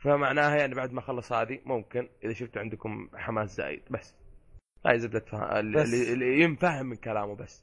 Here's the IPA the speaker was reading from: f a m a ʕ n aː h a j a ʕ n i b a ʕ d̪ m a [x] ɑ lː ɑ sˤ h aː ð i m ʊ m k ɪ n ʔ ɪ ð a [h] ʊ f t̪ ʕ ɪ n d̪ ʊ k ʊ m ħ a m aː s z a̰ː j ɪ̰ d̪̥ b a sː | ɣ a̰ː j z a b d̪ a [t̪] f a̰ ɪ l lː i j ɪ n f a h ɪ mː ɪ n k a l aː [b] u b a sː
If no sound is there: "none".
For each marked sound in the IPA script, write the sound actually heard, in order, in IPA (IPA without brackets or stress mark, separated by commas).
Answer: x, ʃ, t̪, m